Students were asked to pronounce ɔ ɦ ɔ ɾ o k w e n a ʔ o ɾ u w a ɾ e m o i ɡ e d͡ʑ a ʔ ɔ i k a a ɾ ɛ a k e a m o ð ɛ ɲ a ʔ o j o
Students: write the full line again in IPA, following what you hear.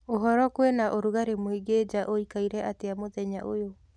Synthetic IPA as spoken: o ɦ ɔ ɾ ɔ k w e n a ʔ o ɾ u ɣ a ɾ e m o i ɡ e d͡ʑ a ʔ o i k a i ɾ ɛ a t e a m o ð ɛ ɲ a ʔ o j o